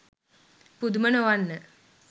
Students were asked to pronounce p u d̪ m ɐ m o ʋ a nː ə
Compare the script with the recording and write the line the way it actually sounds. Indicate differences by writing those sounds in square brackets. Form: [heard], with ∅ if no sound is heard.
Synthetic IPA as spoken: p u d̪ m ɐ [n] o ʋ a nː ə